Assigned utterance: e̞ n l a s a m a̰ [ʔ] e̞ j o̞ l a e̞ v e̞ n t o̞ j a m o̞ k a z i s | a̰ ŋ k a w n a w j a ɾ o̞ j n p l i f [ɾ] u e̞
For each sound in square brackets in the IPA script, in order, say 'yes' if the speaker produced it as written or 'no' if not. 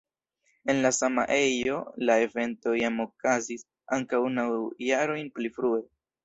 yes, yes

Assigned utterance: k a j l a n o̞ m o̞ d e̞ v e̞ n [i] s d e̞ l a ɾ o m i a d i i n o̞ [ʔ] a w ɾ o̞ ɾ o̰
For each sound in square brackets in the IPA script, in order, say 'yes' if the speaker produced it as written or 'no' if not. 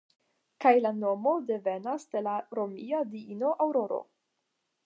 no, yes

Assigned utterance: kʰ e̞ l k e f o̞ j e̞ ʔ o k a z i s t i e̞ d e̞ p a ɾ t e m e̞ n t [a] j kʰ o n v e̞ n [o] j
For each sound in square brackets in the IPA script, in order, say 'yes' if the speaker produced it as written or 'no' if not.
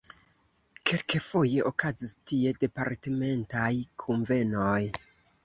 yes, yes

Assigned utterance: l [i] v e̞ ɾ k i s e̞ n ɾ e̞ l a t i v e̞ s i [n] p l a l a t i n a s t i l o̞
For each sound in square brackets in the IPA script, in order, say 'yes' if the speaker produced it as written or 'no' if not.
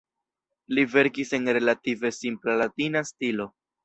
yes, no

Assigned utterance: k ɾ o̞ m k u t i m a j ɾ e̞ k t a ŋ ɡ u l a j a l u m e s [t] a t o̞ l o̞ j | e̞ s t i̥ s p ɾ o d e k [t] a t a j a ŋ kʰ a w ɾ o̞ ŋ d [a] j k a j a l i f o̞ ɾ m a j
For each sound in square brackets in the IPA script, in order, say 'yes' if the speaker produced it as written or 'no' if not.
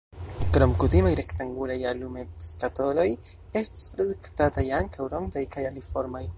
no, yes, yes

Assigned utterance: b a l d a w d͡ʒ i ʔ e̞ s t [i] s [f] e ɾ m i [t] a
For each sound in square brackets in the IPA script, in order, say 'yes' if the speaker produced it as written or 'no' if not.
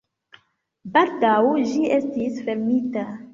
yes, yes, yes

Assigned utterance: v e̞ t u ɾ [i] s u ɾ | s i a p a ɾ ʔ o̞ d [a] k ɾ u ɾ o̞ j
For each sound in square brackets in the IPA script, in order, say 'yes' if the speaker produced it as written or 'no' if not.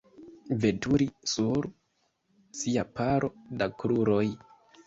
yes, yes

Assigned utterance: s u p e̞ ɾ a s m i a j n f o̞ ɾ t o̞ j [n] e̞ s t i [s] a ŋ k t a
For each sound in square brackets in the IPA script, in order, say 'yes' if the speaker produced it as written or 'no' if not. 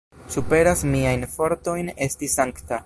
yes, yes

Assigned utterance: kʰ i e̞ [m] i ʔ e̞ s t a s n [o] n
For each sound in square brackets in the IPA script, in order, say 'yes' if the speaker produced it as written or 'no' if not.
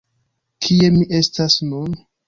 yes, no

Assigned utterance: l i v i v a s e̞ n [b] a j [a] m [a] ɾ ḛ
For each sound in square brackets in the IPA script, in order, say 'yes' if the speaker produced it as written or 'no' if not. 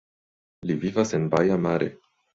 yes, yes, yes

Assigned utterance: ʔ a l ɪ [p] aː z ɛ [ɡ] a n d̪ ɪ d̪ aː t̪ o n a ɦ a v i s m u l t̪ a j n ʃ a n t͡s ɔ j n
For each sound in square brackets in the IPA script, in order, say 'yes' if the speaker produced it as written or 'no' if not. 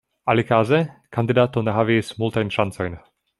no, no

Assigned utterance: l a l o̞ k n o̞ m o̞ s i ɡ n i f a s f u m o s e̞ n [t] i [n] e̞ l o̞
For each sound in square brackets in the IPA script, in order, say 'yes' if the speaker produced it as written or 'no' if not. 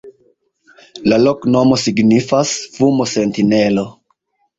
yes, yes

